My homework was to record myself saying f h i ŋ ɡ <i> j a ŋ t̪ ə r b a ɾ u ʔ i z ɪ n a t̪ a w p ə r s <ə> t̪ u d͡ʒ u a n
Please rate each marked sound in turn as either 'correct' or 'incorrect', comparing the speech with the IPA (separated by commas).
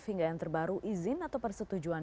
incorrect, correct